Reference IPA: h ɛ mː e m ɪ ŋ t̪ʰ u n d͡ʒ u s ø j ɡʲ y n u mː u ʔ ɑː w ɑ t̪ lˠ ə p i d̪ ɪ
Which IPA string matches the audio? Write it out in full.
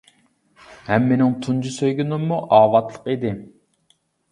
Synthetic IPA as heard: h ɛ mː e n ɪ ŋ t̪ʰ u n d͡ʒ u s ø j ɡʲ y n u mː u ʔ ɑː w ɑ t̪ lˠ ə q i d̪ ɪ